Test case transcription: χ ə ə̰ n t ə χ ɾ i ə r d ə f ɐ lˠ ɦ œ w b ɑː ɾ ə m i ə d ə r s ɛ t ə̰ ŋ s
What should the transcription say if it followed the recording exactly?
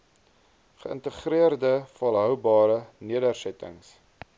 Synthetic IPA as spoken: χ ə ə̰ n t ə χ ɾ i ə r d ə f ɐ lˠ ɦ œ w b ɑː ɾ ə n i ə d ə r s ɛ t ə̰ ŋ s